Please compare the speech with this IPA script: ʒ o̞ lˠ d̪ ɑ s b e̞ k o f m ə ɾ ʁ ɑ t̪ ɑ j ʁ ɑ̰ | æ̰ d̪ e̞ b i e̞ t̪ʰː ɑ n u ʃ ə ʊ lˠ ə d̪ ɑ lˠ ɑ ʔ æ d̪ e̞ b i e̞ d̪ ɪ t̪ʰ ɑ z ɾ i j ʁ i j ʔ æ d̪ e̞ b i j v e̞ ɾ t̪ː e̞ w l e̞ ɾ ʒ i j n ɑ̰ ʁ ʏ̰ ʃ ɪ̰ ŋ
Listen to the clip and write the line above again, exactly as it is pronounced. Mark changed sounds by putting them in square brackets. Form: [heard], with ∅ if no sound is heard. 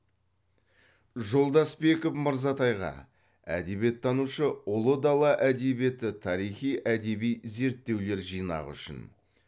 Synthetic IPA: ʒ o̞ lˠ d̪ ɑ s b e̞ k o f m ə ɾ [z] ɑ t̪ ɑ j ʁ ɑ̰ | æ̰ d̪ e̞ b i e̞ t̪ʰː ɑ n u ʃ ə ʊ lˠ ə d̪ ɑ lˠ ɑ ʔ æ d̪ e̞ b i e̞ [t̪] ɪ t̪ʰ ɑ [∅] ɾ i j [χ] i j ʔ æ d̪ e̞ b i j [z] e̞ ɾ t̪ː e̞ w l e̞ ɾ ʒ i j n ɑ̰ ʁ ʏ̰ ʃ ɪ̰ [n]